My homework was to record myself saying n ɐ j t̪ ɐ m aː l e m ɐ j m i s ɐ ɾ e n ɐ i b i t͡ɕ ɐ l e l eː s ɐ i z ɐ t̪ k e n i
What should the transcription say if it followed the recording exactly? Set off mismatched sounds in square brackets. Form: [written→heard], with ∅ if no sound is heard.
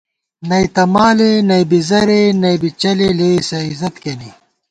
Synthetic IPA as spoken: n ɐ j t̪ ɐ m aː l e [m→n] ɐ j [m→b] i [s→z] ɐ ɾ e n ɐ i b i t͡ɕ ɐ l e l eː s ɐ i z ɐ t̪ k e n i